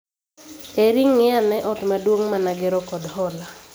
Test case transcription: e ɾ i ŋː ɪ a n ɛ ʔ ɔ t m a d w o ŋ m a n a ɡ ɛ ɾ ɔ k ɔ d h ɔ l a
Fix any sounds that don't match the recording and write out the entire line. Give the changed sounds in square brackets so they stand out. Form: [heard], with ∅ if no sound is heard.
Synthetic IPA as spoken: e ɾ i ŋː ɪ a n ɛ ʔ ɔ t m a d w o ŋ m a n a ɡ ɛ ɾ ɔ k ɔ d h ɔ l a